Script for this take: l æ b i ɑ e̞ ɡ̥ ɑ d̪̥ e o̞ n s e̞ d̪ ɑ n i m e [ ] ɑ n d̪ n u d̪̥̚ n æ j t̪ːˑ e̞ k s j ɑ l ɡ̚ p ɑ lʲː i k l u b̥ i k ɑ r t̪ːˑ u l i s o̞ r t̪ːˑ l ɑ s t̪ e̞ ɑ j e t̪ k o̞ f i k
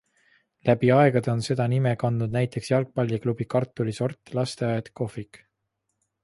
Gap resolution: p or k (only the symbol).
k